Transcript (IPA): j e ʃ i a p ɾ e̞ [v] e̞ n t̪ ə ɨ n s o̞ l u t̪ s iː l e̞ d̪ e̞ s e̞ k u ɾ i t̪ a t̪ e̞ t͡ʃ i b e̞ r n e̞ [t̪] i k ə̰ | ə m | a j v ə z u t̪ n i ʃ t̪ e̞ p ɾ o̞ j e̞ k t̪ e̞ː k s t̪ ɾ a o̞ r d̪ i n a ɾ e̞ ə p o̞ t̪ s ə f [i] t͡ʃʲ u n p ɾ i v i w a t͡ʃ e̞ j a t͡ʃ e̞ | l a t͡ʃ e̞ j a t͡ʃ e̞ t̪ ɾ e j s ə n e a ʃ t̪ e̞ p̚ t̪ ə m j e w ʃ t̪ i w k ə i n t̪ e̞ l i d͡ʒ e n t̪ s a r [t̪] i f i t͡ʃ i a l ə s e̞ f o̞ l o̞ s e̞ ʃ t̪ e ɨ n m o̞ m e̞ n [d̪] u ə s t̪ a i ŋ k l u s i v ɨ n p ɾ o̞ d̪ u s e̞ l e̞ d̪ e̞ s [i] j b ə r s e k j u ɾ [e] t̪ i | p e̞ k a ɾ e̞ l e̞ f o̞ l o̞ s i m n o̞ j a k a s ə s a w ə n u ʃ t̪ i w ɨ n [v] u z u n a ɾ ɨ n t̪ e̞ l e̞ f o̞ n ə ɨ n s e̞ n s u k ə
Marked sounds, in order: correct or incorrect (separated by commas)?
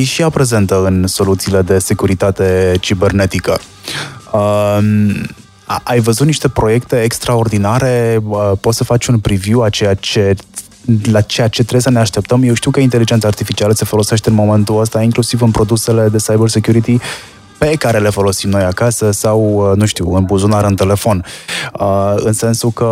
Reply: incorrect, correct, incorrect, correct, incorrect, incorrect, incorrect, incorrect